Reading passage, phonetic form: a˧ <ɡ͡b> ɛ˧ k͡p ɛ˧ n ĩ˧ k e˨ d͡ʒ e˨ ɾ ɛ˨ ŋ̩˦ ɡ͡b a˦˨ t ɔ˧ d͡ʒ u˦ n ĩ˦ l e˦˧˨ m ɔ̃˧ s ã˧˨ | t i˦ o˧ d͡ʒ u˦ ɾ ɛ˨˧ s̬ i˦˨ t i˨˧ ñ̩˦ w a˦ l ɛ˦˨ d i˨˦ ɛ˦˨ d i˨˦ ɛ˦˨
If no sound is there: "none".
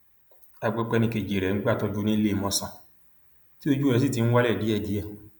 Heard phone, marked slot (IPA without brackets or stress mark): ɡ͡b